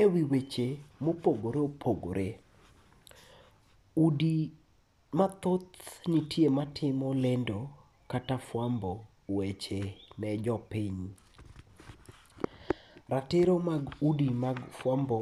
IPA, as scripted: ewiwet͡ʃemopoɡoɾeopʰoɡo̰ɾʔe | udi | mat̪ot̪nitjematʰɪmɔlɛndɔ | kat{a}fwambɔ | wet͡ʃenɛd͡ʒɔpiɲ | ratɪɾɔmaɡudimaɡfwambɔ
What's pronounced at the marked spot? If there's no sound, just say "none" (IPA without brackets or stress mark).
a